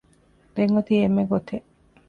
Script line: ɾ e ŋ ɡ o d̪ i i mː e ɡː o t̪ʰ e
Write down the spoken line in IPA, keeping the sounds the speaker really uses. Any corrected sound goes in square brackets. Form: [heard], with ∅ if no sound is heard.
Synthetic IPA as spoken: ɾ e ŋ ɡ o [t̪] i [e] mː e [ɡ] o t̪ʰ e